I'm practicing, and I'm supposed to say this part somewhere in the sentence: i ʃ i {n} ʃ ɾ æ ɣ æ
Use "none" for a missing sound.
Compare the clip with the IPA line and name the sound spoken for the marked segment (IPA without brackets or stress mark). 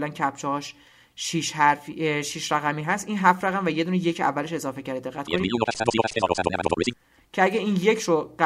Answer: none